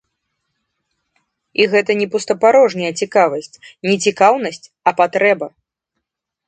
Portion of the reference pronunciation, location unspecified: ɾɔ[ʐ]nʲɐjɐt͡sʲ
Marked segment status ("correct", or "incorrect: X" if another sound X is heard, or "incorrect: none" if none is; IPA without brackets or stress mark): correct